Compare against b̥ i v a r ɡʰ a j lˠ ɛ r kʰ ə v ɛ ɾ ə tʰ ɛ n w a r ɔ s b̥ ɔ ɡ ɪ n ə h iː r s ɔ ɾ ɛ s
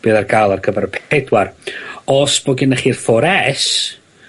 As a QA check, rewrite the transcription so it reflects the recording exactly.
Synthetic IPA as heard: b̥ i ð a r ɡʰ a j lˠ a r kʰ ə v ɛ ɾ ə pʰ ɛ d w a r ɔ s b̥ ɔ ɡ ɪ n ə χ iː r f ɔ ɾ ɛ s